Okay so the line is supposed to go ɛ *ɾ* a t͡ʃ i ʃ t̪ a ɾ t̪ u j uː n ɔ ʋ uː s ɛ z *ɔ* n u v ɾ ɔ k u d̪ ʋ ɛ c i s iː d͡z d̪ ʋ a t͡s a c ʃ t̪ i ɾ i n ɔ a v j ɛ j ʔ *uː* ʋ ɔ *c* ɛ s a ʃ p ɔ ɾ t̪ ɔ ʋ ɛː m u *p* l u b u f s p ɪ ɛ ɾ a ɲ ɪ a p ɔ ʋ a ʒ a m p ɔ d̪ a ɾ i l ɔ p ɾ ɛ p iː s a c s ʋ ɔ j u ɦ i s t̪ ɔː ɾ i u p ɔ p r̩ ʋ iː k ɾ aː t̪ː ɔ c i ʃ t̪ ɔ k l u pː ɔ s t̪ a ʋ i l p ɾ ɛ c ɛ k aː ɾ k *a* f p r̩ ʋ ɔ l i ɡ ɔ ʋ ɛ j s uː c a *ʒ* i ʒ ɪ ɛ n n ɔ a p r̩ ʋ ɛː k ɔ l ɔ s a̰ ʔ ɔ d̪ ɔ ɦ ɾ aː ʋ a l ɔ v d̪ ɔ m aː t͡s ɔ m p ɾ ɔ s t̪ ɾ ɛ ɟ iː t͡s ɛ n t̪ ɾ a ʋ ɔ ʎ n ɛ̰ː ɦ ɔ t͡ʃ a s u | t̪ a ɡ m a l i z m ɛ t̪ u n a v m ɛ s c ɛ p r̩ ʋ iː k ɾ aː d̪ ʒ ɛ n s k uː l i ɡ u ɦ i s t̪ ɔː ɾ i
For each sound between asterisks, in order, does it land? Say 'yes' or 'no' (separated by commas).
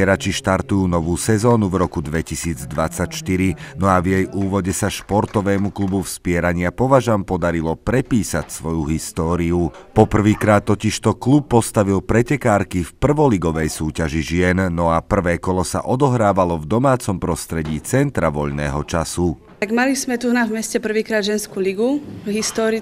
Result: yes, no, yes, no, no, no, yes